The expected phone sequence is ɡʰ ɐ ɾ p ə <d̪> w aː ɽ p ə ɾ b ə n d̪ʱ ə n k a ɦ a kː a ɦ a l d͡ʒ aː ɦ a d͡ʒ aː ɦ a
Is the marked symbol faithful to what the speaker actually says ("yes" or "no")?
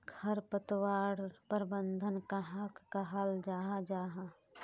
no